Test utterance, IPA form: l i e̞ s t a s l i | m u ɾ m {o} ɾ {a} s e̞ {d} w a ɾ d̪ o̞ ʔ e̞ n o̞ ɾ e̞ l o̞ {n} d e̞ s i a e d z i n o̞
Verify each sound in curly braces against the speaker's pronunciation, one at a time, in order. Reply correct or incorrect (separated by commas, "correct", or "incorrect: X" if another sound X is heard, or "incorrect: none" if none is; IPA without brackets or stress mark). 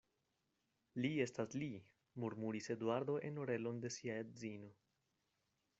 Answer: incorrect: u, incorrect: i, correct, correct